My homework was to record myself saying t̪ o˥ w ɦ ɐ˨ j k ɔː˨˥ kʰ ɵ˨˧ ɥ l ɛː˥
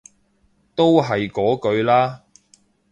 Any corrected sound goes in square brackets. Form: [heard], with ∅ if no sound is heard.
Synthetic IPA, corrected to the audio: t̪ o˥ w ɦ ɐ˨ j k ɔː˨˥ [k] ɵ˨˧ ɥ l [aː˥]